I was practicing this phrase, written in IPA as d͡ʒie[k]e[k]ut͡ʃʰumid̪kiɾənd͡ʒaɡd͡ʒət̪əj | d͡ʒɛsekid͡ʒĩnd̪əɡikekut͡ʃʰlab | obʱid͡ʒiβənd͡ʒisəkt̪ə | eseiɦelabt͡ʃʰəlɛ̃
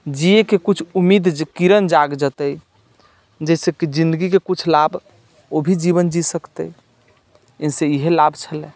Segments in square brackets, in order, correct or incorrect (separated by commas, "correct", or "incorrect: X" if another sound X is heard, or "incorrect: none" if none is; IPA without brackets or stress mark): correct, correct